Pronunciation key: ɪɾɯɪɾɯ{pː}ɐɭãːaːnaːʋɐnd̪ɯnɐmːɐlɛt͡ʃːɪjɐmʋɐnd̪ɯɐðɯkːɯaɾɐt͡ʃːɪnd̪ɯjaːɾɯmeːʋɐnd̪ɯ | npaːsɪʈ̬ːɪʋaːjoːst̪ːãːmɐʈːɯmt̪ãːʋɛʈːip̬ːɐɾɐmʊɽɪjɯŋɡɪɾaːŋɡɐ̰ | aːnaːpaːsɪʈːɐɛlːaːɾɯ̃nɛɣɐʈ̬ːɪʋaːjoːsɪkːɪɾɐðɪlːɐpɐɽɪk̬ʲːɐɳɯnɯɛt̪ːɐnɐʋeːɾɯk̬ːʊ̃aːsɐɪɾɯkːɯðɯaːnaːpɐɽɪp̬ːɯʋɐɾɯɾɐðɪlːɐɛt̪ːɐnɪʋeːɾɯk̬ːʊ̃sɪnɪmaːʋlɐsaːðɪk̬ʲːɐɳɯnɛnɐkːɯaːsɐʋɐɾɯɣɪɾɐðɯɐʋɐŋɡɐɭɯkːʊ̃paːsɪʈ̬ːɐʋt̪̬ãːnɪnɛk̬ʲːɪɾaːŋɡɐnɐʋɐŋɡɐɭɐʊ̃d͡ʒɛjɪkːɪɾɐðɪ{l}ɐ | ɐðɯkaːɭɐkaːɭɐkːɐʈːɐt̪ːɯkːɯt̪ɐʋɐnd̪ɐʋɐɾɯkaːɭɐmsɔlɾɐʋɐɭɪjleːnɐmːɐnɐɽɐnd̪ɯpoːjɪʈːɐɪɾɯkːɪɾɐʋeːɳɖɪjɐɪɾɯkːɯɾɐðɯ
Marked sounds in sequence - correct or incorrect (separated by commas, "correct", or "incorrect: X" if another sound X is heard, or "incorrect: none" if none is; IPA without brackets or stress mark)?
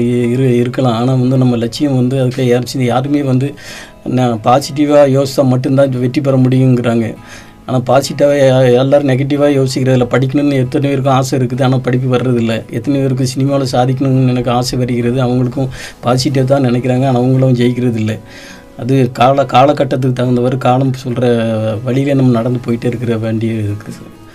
incorrect: kː, incorrect: lː